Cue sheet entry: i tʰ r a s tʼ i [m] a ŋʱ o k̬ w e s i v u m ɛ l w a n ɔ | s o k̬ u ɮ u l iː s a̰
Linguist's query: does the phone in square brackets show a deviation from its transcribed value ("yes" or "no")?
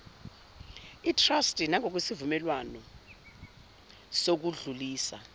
yes